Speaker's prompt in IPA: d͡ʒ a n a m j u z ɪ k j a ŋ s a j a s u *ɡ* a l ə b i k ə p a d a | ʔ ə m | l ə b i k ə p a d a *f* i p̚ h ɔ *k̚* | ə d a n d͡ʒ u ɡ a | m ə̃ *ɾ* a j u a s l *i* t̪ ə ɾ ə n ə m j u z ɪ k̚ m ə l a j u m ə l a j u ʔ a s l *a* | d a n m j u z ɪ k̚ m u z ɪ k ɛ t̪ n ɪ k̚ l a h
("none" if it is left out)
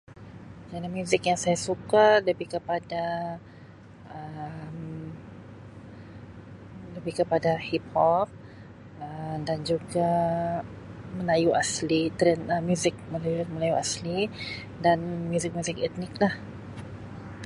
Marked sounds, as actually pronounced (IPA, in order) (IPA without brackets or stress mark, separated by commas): k, h, p̚, l, i, i